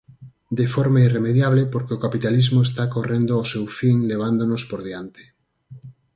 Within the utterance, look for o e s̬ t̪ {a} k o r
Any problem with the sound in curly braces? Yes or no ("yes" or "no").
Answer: no